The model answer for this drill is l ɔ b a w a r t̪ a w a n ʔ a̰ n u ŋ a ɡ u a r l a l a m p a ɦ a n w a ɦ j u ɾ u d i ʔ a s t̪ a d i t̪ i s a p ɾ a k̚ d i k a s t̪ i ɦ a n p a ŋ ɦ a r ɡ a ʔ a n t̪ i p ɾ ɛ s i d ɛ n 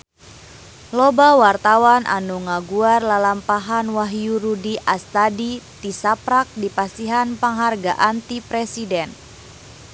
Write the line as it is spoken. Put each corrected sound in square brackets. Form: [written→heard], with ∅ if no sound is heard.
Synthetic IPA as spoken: l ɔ b a w a r t̪ a w a n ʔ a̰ n u ŋ a ɡ u a r l a l a m p a ɦ a n w a ɦ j u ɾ u d i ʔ a s t̪ a d i t̪ i s a p ɾ a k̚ d i [k→p] a s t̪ i ɦ a n p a ŋ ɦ a r ɡ a ʔ a n t̪ i p ɾ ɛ s i d ɛ n